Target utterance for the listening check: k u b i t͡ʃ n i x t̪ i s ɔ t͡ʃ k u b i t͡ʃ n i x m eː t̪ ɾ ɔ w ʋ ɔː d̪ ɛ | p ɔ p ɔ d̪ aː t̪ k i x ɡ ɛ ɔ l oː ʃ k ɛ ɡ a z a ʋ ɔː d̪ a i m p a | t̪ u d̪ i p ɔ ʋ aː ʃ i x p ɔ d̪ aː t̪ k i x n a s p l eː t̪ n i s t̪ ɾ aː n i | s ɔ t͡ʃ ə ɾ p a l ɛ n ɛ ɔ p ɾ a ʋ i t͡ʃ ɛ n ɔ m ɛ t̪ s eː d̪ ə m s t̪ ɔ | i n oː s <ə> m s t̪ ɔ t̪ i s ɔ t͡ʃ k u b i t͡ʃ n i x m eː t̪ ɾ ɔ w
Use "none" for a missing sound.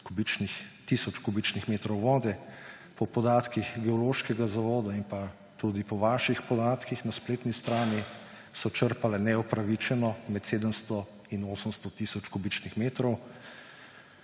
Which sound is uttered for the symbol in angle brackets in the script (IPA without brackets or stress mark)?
ə